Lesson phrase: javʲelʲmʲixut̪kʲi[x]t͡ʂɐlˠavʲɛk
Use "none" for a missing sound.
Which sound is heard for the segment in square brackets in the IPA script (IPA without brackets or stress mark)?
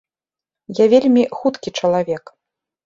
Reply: none